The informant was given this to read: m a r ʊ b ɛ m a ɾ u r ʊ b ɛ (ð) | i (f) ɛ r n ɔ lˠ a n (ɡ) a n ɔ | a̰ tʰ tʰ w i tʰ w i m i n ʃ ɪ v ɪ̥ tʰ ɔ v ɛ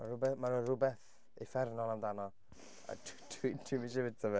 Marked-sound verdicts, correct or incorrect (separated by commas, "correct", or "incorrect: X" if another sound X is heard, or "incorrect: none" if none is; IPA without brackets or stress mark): incorrect: θ, correct, incorrect: d